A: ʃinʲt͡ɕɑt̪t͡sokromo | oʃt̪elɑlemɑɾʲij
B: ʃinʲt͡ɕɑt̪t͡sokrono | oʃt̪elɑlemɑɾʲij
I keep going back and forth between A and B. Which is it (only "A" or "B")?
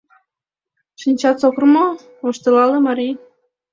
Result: A